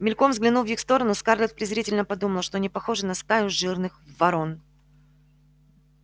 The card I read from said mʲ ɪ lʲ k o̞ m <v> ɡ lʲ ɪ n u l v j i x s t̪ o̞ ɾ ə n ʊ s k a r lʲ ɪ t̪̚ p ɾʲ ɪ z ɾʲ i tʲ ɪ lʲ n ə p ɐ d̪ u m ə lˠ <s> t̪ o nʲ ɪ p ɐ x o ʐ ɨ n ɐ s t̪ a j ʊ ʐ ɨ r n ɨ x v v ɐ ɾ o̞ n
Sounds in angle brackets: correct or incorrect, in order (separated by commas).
incorrect, incorrect